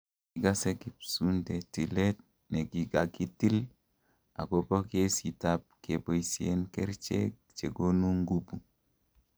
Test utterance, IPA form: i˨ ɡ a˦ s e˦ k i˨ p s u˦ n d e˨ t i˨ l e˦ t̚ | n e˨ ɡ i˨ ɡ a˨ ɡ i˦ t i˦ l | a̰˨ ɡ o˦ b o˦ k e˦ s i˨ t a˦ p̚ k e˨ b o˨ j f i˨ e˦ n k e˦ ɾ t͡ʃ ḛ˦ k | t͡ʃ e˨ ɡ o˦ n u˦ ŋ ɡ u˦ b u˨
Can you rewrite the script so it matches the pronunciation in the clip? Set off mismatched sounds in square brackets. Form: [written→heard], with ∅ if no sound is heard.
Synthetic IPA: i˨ ɡ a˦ s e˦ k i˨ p s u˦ n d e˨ t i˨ l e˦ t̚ | n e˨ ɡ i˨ ɡ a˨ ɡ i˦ t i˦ l | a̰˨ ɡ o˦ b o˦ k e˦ s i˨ t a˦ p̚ k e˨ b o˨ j [f→s] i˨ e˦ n k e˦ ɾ t͡ʃ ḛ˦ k | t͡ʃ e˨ ɡ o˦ n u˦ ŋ ɡ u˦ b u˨